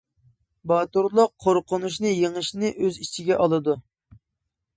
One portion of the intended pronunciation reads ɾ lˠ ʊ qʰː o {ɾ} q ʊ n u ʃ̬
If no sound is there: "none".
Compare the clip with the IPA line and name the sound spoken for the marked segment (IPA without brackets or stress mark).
ɾ